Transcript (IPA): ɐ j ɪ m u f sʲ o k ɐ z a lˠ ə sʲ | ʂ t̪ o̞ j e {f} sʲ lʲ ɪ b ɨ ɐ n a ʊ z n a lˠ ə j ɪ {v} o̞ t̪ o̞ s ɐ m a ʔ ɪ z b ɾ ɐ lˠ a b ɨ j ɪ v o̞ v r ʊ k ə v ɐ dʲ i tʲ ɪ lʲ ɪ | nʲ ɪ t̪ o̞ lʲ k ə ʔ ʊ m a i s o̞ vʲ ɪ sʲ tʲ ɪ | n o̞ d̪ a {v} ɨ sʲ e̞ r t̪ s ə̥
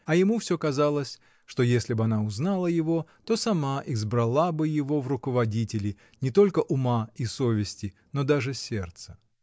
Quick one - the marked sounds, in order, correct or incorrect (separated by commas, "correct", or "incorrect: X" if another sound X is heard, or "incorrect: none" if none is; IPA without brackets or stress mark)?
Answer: incorrect: none, correct, incorrect: ʐ